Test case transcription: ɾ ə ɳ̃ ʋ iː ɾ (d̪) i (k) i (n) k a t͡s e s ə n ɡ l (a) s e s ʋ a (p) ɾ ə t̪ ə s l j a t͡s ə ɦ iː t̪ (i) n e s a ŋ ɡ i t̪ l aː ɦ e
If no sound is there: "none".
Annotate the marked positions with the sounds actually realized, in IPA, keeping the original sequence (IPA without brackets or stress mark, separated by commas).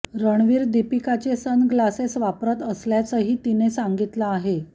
d̪, p, none, a, p, i